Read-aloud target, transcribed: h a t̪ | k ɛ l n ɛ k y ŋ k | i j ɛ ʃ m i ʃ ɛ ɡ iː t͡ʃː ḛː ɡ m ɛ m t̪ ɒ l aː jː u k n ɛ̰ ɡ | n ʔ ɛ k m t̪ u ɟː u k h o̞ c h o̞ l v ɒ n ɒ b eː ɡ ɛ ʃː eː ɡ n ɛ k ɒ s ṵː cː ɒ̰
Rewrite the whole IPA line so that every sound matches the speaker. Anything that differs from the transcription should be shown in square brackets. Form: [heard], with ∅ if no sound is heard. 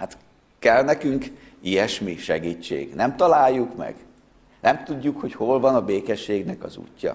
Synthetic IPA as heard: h a t̪ | k ɛ l n ɛ k y ŋ k | i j ɛ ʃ m i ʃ ɛ ɡ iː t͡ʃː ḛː ɡ [n] ɛ m t̪ ɒ l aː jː u k [m] ɛ̰ ɡ | n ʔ ɛ [∅] m t̪ u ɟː u k h o̞ c h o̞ l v ɒ n ɒ b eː [k] ɛ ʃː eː ɡ n ɛ k ɒ [z] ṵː cː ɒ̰